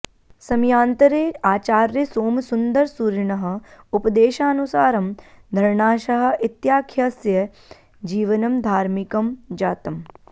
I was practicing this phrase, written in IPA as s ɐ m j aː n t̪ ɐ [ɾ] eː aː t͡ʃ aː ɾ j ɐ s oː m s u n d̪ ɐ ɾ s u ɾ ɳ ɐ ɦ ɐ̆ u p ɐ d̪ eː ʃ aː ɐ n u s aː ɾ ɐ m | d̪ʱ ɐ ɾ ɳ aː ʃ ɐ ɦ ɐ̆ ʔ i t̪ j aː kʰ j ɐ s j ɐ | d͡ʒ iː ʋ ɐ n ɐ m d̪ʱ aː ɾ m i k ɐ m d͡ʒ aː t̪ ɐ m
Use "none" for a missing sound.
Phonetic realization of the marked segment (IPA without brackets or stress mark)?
ɾ